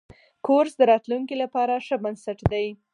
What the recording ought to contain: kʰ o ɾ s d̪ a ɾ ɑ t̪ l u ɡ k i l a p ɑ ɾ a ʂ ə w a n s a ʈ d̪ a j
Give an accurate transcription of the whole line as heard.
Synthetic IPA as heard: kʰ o ɾ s d̪ ə ɾ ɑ t̪ l u ŋ k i l a p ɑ ɾ a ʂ ə b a n s a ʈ d̪ a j